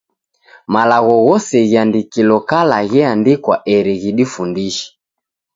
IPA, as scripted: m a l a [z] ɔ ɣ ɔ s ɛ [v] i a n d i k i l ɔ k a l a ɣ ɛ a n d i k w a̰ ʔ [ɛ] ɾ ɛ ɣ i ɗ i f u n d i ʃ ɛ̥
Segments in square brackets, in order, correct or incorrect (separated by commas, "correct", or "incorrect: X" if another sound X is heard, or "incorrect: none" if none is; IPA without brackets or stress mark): incorrect: ɣ, incorrect: ɣ, correct